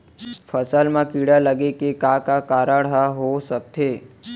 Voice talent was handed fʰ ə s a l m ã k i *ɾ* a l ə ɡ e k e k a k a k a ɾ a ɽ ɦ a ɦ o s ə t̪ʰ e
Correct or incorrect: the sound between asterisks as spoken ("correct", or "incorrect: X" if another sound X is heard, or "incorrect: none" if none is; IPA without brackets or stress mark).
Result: incorrect: ɽ